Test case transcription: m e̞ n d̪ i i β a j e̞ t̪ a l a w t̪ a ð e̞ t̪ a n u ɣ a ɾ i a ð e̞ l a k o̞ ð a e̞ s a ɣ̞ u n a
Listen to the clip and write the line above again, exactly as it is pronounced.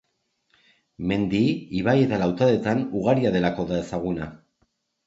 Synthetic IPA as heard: m e̞ n d̪ i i β a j e̞ t̪ a l a w t̪ a ð e̞ t̪ a n u ɣ a ɾ i a ð e̞ l a k o̞ ð a e̞ s a ɣ̞ u n a